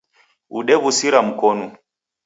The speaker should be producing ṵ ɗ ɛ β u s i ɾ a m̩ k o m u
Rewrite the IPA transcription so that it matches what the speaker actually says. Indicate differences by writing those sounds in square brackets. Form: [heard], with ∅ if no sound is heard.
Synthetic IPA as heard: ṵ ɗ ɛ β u s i ɾ a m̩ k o [n] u